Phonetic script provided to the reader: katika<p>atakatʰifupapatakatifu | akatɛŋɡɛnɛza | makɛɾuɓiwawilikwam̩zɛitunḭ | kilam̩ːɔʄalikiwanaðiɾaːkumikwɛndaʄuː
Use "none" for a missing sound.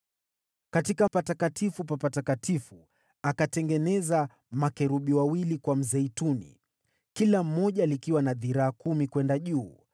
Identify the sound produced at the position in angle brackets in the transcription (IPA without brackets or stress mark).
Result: p